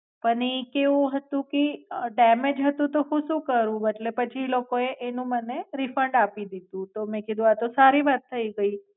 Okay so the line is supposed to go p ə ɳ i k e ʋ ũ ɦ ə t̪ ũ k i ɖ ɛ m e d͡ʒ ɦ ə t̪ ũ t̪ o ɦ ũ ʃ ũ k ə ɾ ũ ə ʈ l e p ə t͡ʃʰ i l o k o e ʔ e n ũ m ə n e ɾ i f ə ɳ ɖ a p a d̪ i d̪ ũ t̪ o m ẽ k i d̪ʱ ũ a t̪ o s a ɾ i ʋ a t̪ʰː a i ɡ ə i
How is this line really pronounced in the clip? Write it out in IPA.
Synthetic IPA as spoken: p ə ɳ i k e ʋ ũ ɦ ə t̪ ũ k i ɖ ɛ m e d͡ʒ ɦ ə t̪ ũ t̪ o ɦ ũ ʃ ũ k ə ɾ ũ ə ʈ l e p ə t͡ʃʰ i l o k o e ʔ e n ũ m ə n e ɾ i f ə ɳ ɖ a p i d̪ i d̪ ũ t̪ o m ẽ k i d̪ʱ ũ a t̪ o s a ɾ i ʋ a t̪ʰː ə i ɡ ə i